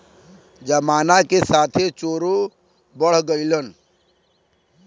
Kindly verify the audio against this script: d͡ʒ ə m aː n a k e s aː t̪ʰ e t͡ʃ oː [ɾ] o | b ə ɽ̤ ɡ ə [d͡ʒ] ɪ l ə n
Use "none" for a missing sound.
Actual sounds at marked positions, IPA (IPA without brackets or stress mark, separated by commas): ɾ, none